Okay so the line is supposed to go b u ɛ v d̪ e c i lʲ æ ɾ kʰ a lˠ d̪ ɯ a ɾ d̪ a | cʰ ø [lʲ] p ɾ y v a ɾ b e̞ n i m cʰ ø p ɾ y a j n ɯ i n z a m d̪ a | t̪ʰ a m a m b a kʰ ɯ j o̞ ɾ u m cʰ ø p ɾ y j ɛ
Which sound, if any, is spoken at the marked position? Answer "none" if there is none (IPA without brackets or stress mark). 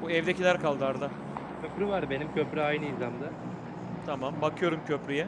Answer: none